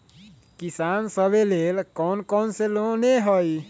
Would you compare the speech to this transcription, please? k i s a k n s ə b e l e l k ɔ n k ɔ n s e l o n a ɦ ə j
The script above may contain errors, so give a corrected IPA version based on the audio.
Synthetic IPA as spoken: k i s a n s ə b e l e l k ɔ n k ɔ n s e l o n e ɦ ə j